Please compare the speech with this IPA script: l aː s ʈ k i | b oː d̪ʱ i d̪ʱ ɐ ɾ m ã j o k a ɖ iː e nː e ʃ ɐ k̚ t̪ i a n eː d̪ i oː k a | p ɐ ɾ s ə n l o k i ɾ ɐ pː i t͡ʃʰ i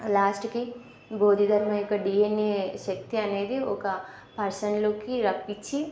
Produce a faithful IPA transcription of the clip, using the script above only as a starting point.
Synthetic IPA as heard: l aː s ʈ k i | b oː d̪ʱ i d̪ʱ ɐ ɾ m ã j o k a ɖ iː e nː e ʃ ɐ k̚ t̪ i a n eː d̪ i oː k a | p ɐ ɾ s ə n l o k i ɾ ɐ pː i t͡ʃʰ i